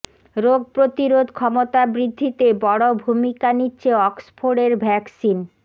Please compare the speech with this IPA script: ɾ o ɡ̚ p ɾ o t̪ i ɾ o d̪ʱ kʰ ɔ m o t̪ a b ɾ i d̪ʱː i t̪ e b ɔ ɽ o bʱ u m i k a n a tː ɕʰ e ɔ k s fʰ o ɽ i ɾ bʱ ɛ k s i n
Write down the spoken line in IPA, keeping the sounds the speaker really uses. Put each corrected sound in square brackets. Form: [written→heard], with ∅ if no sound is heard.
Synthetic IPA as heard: ɾ o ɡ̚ p ɾ o t̪ i ɾ o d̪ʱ kʰ ɔ m o t̪ a b ɾ i d̪ʱː i t̪ e b ɔ ɽ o bʱ u m i k a n [a→i] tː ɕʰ e ɔ k s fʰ o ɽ [i→e] ɾ bʱ ɛ k s i n